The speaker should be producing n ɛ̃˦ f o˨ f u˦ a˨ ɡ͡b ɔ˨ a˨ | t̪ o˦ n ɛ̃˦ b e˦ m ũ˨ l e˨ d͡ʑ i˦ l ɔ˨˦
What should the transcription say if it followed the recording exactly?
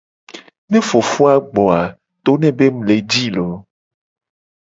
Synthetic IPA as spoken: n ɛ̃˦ f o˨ f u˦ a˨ ɡ͡b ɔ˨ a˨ | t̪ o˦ n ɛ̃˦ b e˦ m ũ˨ l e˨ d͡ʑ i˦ l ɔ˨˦